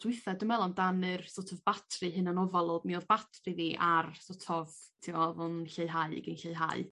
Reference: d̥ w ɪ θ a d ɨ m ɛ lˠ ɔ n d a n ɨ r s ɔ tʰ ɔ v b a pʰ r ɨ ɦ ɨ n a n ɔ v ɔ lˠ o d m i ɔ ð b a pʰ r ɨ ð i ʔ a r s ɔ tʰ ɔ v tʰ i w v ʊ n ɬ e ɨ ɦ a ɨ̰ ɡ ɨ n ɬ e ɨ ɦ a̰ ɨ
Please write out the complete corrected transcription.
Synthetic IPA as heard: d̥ w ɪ θ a d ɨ m ɛ lˠ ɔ n d a n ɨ r s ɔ tʰ ɔ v b a tʰ r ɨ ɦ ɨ n a n ɔ v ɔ lˠ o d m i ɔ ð b a tʰ r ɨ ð i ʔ a r s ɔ tʰ ɔ v tʰ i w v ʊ n ɬ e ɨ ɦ a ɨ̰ ɡ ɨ n ɬ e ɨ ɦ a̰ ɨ